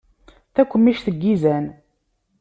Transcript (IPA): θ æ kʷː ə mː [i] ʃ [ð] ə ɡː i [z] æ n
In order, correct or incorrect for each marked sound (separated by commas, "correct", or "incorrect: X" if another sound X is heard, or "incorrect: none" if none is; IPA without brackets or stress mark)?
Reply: correct, incorrect: θ, correct